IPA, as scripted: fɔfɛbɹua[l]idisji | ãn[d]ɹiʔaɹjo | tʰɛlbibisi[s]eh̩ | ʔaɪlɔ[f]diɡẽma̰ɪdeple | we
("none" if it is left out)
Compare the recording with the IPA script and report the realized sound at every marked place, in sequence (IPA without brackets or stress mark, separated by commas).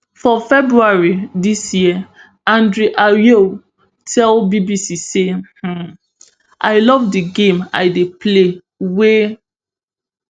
ɹ, d, s, v